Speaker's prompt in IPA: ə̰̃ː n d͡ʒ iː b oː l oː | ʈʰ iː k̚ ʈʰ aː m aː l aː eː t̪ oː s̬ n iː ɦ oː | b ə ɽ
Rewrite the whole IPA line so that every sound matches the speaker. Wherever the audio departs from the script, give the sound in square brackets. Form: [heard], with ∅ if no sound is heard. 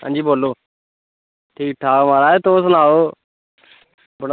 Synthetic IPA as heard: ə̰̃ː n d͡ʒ iː b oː l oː | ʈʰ iː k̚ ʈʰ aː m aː [ɾ] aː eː t̪ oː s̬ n [aː] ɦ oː | b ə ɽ

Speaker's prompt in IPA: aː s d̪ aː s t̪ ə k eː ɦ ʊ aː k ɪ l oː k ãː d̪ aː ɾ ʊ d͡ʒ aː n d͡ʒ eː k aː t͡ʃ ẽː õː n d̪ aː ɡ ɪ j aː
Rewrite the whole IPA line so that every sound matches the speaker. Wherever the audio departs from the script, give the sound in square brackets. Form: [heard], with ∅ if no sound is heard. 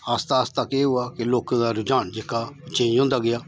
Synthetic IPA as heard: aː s [t̪] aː s t̪ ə k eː ɦ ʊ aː k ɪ l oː k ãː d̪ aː ɾ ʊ d͡ʒ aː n d͡ʒ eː k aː t͡ʃ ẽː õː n d̪ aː ɡ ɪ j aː

